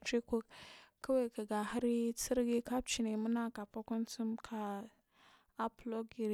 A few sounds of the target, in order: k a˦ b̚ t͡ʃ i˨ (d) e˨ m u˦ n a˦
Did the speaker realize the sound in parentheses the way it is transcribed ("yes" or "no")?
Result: no